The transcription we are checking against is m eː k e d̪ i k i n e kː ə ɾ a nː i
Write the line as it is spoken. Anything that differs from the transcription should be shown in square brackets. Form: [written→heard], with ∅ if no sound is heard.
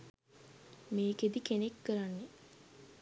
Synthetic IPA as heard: m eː k e d̪ i k [i→e] n e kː ə ɾ a nː [i→e]